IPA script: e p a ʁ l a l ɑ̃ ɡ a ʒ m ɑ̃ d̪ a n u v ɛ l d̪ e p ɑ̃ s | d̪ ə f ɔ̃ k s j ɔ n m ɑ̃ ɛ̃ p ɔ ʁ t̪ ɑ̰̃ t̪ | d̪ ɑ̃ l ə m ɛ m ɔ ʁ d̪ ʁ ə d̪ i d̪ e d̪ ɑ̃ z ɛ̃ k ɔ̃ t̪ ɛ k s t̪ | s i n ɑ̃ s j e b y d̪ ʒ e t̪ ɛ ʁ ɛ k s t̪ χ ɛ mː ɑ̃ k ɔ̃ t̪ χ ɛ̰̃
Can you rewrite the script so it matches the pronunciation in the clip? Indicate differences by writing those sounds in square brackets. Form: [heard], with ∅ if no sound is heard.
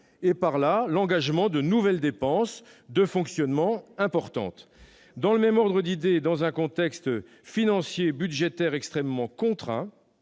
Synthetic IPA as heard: e p a ʁ l a l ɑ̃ ɡ a ʒ m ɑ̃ d̪ [ə] n u v ɛ l d̪ e p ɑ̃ s | d̪ ə f ɔ̃ k s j ɔ n m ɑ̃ ɛ̃ p ɔ ʁ t̪ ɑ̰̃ t̪ | d̪ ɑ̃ l ə m ɛ m ɔ ʁ d̪ ʁ ə d̪ i d̪ e d̪ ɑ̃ z ɛ̃ k ɔ̃ t̪ ɛ k s t̪ | [f] i n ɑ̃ s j e b y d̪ ʒ e t̪ ɛ ʁ ɛ k s t̪ χ ɛ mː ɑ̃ k ɔ̃ t̪ χ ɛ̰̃

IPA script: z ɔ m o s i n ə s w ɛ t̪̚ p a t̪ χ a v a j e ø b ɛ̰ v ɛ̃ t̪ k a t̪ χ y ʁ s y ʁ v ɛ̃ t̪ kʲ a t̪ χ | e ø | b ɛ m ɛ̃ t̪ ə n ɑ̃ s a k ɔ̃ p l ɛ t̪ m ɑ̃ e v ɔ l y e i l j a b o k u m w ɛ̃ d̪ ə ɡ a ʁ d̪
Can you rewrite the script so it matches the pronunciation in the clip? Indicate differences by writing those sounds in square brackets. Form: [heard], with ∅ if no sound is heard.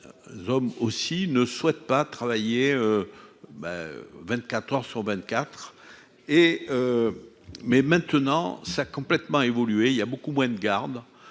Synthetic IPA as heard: z ɔ m o s i n ə s w ɛ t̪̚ p a t̪ χ a v a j e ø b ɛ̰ v ɛ̃ t̪ k a t̪ χ [œ] ʁ s y ʁ v ɛ̃ t̪ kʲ a t̪ χ | e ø | [m] ɛ m ɛ̃ t̪ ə n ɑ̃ s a k ɔ̃ p l ɛ t̪ m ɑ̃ e v ɔ l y e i l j a b o k u m w ɛ̃ d̪ ə ɡ a ʁ d̪

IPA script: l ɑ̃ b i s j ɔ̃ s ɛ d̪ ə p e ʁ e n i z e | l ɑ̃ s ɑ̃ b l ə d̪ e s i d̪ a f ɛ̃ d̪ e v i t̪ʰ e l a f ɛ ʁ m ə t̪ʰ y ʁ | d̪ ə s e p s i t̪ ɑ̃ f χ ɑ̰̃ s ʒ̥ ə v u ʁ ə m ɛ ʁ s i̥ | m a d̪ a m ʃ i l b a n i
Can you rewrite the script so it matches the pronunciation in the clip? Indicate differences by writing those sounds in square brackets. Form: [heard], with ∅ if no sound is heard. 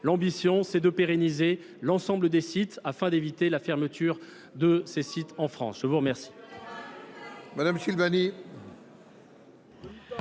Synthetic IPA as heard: l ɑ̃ b i s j ɔ̃ s ɛ d̪ ə p e ʁ e n i z e | l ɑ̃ s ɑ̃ b l ə d̪ e s i [t̪] a f ɛ̃ d̪ e v i [t̪] e l a f ɛ ʁ m ə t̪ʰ y ʁ | d̪ ə s e [∅] s i t̪ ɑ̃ f χ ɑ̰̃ s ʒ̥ ə v u ʁ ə m ɛ ʁ s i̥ | m a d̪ a m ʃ i l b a n i

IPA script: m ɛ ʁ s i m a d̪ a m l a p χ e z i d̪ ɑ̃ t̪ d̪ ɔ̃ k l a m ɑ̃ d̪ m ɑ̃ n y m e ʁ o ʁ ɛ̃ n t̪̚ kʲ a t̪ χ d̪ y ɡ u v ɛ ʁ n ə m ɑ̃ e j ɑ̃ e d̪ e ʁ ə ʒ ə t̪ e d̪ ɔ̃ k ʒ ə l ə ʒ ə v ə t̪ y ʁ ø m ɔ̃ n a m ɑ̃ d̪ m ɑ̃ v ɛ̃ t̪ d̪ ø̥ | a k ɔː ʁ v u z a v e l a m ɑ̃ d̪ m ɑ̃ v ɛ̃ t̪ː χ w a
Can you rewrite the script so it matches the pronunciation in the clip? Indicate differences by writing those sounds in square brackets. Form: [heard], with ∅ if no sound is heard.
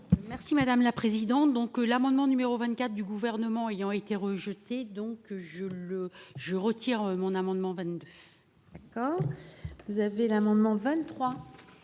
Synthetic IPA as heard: m ɛ ʁ s i m a d̪ a m l a p χ e z i d̪ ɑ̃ t̪ d̪ ɔ̃ k l a m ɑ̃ d̪ m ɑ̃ n y m e ʁ o [v] ɛ̃ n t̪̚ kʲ a t̪ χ d̪ y ɡ u v ɛ ʁ n ə m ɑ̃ e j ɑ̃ e [t̪] e ʁ ə ʒ ə t̪ e d̪ ɔ̃ k ʒ ə l ə ʒ ə [ʁ] ə t̪ [i] ʁ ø m ɔ̃ n a m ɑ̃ d̪ m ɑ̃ v ɛ̃ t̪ d̪ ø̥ | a k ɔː ʁ v u z a v e l a m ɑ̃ d̪ m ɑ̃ v ɛ̃ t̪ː χ w a

